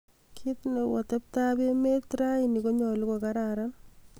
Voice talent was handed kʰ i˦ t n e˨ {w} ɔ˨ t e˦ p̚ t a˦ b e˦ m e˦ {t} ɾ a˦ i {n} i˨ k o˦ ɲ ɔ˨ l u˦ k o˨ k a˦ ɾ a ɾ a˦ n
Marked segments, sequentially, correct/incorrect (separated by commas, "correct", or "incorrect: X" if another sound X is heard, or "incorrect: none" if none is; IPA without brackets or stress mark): correct, correct, correct